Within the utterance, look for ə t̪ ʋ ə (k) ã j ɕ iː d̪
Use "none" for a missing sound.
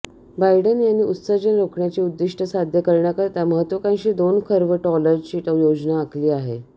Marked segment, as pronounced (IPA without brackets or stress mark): k